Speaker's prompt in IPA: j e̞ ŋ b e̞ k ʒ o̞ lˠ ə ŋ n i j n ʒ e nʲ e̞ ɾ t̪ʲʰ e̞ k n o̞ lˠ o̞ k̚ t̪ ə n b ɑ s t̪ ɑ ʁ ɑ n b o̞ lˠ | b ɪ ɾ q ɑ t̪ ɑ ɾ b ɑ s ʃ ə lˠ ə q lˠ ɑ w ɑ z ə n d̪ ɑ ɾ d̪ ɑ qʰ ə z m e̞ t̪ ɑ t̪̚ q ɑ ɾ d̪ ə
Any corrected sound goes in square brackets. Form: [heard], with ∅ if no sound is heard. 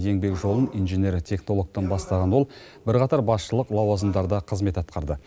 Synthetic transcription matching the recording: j e̞ ŋ b e̞ k ʒ o̞ lˠ ə [∅] n i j n ʒ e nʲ e̞ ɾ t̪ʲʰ e̞ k n o̞ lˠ o̞ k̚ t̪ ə n b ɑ s t̪ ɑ ʁ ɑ n [w] o̞ lˠ | b ɪ ɾ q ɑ t̪ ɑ ɾ b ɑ s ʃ ə lˠ ə q lˠ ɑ w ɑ z ə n d̪ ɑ ɾ d̪ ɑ qʰ ə z m e̞ t̪ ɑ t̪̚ q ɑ ɾ d̪ ə